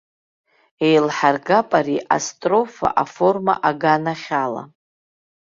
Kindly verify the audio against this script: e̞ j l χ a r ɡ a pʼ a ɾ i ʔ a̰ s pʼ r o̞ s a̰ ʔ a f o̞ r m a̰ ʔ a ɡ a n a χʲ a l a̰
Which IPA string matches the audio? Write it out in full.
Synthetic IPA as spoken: e̞ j l ħ a r ɡ a pʼ a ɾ i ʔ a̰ s tʼ r o̞ f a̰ ʔ a f o̞ r m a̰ ʔ a ɡ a n a χʲ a l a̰